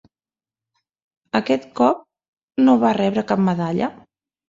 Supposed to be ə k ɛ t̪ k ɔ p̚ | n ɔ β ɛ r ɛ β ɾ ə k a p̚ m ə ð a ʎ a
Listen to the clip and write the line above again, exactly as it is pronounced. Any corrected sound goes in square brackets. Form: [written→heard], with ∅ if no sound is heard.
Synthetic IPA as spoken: ə k ɛ t̪ k ɔ p̚ | n [ɔ→o] β [ɛ→a] r ɛ β ɾ ə k a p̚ m ə ð a ʎ [a→ə]